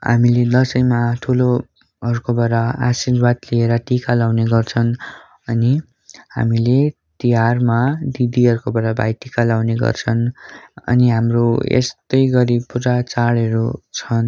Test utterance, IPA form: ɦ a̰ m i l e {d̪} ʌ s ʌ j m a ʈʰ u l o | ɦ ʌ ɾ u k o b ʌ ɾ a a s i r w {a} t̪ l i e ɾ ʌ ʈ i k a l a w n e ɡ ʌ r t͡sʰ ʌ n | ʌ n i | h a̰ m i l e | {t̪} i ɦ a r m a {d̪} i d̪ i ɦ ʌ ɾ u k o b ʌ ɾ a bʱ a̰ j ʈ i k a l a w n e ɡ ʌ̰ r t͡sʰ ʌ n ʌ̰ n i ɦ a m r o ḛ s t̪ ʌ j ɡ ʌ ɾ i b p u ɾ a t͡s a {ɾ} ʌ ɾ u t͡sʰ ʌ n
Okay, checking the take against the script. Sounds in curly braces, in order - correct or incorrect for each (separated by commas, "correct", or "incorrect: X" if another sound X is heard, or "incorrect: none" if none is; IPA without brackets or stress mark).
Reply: correct, correct, correct, correct, incorrect: ɽ